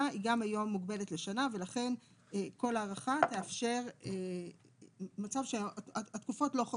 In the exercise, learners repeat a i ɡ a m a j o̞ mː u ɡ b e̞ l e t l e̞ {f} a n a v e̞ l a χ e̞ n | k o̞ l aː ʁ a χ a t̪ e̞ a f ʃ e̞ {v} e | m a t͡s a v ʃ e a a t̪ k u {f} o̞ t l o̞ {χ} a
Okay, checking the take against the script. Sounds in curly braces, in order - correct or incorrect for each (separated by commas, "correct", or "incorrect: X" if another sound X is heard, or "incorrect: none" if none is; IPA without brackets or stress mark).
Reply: incorrect: ʃ, incorrect: ʁ, correct, correct